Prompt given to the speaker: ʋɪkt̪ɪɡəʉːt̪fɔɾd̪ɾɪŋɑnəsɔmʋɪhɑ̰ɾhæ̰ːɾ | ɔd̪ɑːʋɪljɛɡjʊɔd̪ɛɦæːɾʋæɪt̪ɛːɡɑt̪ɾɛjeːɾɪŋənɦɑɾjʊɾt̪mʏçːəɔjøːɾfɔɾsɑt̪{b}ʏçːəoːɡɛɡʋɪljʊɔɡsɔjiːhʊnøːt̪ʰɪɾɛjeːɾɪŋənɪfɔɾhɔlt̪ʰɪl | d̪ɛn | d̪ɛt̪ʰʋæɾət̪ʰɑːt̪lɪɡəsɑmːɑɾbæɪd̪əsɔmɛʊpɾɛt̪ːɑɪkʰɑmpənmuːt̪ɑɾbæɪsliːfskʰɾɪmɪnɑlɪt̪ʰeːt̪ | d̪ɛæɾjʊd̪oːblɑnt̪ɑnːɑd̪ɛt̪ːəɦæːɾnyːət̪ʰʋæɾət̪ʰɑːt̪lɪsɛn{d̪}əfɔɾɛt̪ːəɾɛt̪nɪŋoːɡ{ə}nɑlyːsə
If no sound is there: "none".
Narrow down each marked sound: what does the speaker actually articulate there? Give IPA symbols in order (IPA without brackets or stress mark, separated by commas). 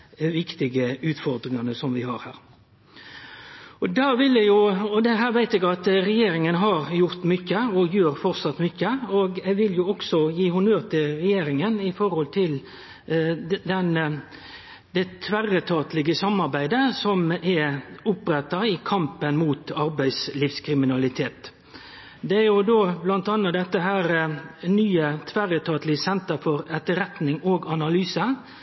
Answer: m, t̪, ɑ